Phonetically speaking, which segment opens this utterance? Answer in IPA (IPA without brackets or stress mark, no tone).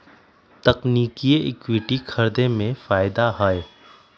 t̪